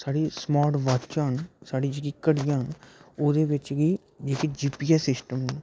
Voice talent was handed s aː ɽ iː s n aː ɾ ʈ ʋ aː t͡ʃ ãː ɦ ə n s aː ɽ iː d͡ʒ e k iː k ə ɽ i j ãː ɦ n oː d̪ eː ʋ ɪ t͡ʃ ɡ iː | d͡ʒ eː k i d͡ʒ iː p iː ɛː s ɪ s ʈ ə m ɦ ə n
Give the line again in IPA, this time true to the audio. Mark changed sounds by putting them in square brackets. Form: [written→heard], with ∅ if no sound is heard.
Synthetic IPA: s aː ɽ iː s [n→m] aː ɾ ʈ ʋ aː t͡ʃ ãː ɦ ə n s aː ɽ iː d͡ʒ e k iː k ə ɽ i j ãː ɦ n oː d̪ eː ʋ ɪ t͡ʃ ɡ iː | d͡ʒ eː k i d͡ʒ iː p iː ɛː s ɪ s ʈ ə m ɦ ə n